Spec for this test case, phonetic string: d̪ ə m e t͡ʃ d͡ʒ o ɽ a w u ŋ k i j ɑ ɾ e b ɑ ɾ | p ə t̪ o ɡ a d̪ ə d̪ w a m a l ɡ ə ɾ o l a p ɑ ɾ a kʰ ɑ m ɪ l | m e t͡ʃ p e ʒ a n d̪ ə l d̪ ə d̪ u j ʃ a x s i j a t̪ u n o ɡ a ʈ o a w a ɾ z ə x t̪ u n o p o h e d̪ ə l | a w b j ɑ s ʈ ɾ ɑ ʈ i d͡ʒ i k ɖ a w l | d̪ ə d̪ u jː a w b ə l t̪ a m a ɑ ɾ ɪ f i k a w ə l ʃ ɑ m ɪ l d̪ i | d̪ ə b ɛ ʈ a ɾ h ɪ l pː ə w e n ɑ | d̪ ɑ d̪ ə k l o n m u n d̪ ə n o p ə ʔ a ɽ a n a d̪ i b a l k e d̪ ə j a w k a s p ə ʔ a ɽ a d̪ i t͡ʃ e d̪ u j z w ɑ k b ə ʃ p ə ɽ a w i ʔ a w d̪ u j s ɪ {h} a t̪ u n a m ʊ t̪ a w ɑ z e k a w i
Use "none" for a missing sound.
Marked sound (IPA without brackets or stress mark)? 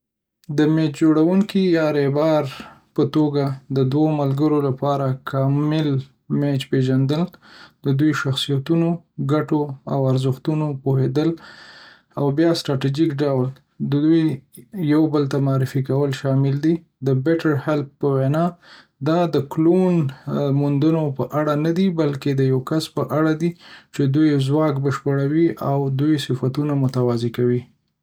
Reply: f